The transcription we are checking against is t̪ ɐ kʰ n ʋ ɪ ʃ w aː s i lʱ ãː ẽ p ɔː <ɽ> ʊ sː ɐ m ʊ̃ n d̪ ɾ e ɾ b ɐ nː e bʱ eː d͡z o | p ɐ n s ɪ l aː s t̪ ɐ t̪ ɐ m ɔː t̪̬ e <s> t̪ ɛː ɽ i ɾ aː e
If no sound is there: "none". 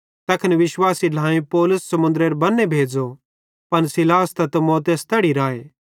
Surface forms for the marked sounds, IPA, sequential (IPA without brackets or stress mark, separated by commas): l, s